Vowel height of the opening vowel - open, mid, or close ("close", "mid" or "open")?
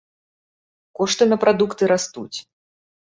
mid